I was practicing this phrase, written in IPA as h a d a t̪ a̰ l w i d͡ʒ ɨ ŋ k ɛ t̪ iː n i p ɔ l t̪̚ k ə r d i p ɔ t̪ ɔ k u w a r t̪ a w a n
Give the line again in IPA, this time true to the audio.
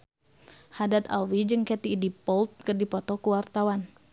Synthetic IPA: h a d a t̪ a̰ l w i d͡ʒ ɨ ŋ k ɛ t̪ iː d i p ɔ l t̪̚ k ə r d i p ɔ t̪ ɔ k u w a r t̪ a w a n